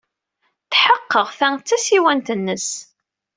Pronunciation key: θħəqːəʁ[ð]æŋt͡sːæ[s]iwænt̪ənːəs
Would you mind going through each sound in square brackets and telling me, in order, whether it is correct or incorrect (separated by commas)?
incorrect, correct